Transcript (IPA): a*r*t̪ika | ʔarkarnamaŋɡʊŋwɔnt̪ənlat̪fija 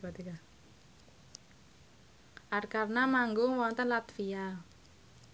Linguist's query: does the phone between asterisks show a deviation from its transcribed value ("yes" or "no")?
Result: yes